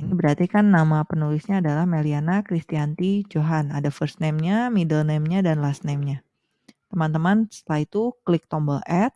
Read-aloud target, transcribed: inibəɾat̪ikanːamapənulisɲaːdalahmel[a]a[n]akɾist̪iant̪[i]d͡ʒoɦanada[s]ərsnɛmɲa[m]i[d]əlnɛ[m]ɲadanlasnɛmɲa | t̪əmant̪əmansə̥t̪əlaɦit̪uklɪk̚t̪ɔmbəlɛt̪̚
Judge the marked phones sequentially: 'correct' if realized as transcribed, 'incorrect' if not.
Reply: incorrect: i, correct, correct, incorrect: f, correct, correct, correct

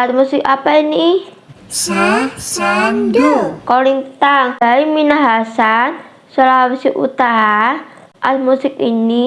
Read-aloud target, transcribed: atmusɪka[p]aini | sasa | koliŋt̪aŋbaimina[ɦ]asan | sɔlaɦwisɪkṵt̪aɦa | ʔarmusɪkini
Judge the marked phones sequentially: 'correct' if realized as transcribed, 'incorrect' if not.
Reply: correct, correct

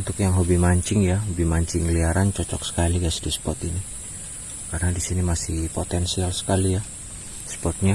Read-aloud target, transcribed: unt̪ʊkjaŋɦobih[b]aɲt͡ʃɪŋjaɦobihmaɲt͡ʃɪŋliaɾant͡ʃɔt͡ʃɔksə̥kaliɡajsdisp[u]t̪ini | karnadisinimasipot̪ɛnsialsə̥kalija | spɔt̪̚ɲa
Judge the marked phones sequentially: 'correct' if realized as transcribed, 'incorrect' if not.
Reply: incorrect: m, incorrect: ɔ

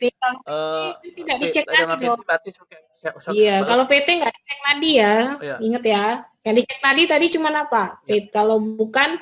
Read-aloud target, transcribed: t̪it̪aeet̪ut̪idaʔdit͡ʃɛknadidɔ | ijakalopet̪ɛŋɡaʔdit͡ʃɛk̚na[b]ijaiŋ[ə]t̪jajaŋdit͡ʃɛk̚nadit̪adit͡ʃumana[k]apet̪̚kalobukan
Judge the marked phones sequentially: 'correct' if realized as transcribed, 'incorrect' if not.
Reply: incorrect: d, correct, incorrect: p

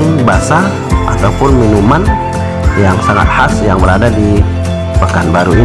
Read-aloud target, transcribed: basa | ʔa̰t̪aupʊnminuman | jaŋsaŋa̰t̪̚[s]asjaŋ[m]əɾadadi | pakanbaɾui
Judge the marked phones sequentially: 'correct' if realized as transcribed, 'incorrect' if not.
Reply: incorrect: h, incorrect: b

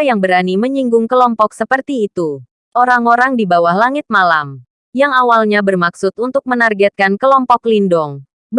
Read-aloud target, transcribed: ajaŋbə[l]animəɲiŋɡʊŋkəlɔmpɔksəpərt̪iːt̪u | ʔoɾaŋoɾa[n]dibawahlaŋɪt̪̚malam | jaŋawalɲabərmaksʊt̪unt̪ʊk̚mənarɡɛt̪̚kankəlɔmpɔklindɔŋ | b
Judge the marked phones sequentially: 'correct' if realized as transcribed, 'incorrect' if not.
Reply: incorrect: ɾ, incorrect: ŋ

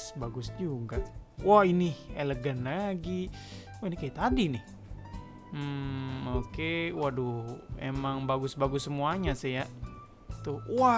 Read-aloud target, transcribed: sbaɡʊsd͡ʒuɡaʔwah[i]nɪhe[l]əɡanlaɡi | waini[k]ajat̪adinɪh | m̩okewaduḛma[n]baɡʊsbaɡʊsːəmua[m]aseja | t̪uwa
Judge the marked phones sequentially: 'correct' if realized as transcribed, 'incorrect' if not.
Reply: correct, correct, correct, incorrect: ŋ, incorrect: ɲ

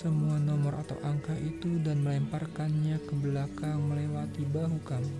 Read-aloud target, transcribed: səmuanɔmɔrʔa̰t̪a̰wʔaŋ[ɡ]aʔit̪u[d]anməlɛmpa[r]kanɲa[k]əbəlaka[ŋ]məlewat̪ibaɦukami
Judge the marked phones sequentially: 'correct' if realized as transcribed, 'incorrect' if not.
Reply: incorrect: k, correct, correct, correct, correct

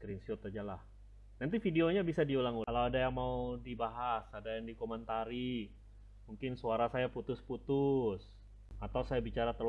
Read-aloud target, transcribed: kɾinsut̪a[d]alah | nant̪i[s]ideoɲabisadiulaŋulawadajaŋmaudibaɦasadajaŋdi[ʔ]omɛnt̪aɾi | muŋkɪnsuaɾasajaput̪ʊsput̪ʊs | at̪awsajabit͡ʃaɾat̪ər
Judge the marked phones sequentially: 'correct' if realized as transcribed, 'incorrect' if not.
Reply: incorrect: d͡ʒ, incorrect: f, incorrect: k

